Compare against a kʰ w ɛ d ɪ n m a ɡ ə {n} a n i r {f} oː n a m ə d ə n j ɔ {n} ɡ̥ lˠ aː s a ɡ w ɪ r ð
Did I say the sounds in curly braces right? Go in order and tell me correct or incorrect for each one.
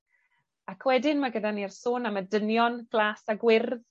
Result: incorrect: d, incorrect: s, correct

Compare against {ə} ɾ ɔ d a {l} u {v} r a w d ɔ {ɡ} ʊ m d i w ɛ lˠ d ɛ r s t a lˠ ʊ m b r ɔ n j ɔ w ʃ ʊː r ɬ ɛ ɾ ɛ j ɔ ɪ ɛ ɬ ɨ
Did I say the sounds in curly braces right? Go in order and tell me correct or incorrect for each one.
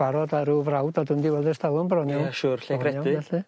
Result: incorrect: a, incorrect: ɾ, correct, incorrect: d

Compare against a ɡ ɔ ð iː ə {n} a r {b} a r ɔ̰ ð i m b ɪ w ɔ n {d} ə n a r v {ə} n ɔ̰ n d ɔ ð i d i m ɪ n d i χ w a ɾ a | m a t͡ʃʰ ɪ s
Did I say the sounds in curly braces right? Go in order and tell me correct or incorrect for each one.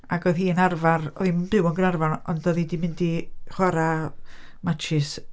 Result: correct, incorrect: v, incorrect: ɡ, incorrect: a

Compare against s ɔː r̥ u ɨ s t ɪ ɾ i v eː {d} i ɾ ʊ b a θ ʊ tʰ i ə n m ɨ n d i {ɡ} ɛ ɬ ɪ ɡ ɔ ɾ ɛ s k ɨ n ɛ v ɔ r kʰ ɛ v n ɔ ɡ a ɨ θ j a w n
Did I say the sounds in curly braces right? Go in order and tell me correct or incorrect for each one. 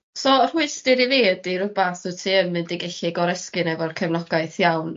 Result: correct, correct

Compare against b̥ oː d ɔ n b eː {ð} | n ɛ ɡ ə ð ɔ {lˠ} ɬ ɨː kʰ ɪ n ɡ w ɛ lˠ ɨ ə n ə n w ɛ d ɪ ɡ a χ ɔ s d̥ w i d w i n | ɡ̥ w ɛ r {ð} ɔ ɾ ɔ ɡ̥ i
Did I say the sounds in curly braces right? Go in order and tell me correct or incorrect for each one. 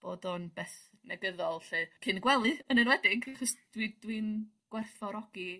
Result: incorrect: θ, correct, incorrect: θ

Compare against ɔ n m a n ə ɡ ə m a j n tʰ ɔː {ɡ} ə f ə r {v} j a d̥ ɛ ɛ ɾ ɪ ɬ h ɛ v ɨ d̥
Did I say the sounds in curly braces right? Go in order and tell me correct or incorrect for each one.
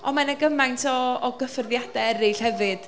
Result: correct, incorrect: ð

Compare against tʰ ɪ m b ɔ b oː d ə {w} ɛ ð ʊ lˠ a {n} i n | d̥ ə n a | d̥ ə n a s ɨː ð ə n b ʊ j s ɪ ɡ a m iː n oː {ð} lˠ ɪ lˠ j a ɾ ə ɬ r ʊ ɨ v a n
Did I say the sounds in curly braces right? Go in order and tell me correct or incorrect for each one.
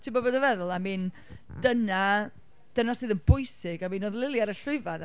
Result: incorrect: v, incorrect: m, correct

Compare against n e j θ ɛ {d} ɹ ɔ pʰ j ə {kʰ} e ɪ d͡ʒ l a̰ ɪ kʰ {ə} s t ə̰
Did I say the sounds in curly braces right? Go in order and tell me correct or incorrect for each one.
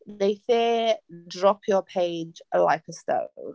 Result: correct, incorrect: pʰ, correct

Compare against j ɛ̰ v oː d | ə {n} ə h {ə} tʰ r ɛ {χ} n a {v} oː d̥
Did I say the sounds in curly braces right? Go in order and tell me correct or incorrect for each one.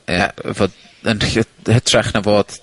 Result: correct, correct, correct, correct

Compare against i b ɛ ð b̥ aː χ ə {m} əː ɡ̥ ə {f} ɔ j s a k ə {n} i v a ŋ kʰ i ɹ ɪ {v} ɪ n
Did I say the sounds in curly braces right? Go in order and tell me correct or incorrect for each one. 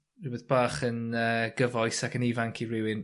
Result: incorrect: n, incorrect: v, correct, incorrect: w

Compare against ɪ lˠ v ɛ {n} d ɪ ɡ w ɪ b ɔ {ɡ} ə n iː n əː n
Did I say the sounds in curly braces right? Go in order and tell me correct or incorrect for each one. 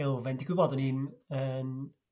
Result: correct, incorrect: d

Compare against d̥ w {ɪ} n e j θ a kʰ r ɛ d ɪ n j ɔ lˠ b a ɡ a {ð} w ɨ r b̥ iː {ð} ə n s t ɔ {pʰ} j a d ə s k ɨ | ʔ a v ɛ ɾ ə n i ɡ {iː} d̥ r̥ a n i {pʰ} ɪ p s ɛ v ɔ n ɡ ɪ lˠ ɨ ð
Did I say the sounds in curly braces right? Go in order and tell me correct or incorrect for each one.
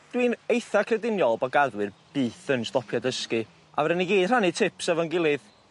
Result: incorrect: i, correct, incorrect: θ, correct, correct, incorrect: tʰ

